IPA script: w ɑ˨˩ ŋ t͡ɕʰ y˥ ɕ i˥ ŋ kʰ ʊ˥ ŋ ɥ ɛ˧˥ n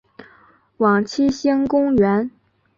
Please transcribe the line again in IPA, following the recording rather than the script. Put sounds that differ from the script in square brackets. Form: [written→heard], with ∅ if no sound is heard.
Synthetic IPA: w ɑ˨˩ ŋ t͡ɕʰ [y˥→i˥] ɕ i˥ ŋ [kʰ→k] ʊ˥ ŋ ɥ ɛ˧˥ n